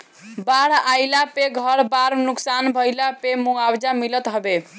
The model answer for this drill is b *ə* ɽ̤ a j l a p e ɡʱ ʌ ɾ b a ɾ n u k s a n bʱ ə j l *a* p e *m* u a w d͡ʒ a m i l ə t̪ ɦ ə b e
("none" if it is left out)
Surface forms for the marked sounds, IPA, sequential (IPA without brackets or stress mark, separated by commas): a, a, m